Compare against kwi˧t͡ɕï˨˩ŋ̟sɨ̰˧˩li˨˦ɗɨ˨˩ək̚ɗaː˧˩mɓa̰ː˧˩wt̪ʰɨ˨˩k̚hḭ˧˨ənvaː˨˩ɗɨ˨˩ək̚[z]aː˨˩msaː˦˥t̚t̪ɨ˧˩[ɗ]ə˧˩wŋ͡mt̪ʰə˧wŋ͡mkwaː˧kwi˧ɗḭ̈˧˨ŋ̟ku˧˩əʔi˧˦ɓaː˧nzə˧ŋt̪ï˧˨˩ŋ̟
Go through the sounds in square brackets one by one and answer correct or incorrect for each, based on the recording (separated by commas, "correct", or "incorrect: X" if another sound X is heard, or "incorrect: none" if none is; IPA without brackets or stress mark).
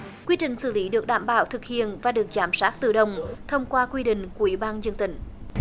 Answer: correct, correct